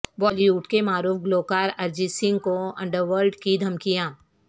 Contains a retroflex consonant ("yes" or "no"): yes